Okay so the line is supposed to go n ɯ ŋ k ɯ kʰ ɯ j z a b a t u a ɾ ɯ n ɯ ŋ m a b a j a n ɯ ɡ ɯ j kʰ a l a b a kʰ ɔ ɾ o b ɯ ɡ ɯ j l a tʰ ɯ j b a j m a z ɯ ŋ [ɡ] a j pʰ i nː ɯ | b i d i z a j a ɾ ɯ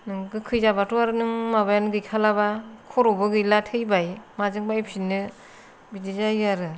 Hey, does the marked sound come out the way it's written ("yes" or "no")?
no